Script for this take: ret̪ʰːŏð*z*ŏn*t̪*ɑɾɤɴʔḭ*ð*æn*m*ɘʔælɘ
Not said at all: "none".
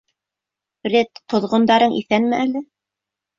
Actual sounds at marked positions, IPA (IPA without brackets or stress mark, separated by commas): ʁ, d̪, θ, m